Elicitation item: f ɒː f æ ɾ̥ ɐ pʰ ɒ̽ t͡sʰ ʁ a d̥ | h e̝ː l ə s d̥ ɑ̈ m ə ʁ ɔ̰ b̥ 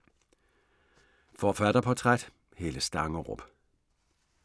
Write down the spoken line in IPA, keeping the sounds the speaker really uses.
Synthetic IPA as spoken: f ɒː f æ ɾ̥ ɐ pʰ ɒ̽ t͡sʰ ʁ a d̥ | h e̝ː l ə s d̥ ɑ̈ ŋ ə ʁ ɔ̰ b̥